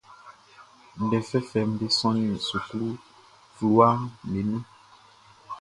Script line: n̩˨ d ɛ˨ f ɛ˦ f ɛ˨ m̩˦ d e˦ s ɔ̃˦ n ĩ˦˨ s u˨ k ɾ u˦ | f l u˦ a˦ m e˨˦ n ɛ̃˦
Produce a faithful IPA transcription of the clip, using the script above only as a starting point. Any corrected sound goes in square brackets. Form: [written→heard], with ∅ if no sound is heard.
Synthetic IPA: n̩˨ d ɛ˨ f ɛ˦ f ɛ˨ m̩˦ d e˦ s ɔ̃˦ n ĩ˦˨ s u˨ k [ɾ→l] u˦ | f l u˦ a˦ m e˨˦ n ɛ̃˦